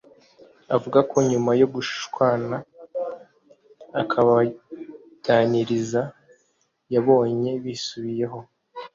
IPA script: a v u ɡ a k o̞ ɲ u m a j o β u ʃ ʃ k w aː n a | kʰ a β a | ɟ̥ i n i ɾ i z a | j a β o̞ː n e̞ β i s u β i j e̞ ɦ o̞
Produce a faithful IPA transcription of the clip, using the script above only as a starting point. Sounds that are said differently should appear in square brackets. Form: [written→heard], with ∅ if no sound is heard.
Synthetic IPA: a v u ɡ a k o̞ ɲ u m a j o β u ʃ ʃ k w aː n a | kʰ a β a | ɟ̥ [i→a] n i ɾ i z a | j a β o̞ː [n→ɲ] e̞ β i s u β i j e̞ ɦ o̞